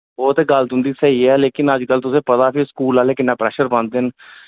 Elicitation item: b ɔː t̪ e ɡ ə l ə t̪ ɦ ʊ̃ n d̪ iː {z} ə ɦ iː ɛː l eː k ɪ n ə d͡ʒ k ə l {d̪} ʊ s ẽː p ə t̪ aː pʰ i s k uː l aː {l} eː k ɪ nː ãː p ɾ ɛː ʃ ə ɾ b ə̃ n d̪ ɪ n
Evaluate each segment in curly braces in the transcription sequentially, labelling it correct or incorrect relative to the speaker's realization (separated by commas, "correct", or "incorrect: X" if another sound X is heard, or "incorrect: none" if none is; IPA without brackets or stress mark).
incorrect: s, incorrect: t̪, correct